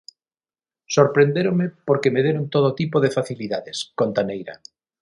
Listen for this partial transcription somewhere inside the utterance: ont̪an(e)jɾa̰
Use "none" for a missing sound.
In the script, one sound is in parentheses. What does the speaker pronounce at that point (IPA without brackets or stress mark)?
e